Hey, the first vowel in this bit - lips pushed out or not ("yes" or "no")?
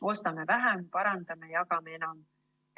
yes